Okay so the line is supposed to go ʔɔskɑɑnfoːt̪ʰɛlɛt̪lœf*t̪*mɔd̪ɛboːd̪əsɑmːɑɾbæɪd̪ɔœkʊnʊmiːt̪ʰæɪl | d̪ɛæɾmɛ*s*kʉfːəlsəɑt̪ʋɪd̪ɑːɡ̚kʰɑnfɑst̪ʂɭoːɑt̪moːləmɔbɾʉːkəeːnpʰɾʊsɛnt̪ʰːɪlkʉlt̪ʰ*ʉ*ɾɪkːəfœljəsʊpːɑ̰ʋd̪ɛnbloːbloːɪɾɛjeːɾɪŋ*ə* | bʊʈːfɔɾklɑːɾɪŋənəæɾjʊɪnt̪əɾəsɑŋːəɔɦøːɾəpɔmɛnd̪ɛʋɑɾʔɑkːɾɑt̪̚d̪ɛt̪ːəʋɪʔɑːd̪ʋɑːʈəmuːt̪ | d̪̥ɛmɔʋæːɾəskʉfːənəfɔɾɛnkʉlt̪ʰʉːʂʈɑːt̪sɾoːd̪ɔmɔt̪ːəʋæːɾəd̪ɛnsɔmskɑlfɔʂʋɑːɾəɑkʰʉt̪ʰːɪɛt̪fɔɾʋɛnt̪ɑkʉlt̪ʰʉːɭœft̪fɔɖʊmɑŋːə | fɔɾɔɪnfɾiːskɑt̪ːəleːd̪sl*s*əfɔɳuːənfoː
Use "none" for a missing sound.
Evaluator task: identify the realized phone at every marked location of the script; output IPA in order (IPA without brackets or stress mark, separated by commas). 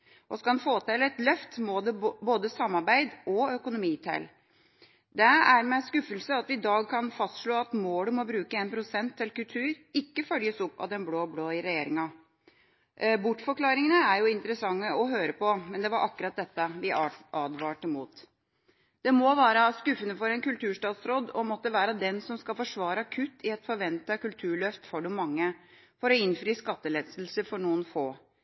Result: t̪, s, ʉː, ɑ, s